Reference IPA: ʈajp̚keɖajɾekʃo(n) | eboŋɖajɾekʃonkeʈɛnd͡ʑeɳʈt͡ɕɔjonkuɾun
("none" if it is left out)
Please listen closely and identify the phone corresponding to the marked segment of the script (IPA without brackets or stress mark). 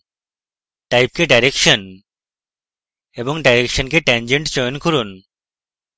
n